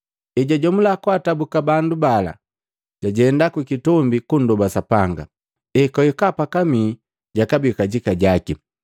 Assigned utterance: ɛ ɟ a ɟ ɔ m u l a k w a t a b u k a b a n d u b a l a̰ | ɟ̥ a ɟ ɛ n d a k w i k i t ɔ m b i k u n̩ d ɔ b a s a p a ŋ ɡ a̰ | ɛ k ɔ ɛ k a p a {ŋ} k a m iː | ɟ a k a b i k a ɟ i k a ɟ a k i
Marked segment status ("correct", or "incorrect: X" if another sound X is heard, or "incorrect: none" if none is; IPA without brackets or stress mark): incorrect: none